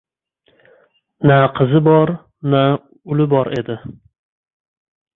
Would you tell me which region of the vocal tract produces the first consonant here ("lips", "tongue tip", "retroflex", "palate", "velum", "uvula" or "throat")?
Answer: tongue tip